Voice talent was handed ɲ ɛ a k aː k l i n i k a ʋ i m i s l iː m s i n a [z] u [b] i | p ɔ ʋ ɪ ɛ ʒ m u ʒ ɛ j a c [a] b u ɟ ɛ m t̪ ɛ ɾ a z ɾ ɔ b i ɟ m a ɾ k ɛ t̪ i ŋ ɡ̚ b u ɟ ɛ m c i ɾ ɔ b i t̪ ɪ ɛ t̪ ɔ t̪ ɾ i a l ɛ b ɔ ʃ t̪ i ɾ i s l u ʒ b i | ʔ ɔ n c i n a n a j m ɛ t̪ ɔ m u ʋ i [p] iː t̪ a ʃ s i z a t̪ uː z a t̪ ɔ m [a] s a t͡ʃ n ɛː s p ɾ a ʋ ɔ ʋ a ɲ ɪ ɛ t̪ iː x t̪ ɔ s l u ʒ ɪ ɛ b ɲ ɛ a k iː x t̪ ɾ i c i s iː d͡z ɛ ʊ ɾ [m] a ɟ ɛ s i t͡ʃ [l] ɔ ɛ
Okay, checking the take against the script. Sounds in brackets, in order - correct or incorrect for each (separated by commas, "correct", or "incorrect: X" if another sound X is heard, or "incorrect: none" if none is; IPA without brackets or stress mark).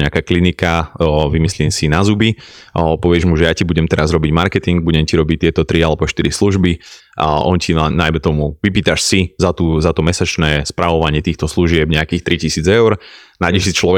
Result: correct, correct, incorrect: i, correct, incorrect: ɛ, incorrect: n, correct